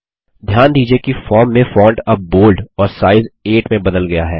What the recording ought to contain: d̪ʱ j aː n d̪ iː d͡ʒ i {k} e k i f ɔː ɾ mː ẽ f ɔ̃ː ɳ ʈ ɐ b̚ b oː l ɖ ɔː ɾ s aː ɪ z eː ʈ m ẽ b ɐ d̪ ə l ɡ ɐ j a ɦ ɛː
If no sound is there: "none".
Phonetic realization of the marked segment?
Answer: none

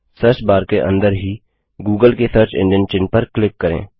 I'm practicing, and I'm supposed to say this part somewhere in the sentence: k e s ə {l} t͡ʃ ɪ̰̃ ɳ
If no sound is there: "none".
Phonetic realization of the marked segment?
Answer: ɾ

